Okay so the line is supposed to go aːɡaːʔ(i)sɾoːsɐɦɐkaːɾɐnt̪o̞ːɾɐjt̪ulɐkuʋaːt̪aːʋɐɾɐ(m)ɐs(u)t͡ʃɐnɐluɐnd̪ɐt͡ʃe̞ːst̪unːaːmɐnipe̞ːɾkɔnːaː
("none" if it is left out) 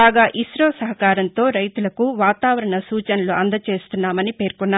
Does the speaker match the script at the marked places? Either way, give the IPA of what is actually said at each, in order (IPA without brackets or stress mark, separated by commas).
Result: i, ɳ, uː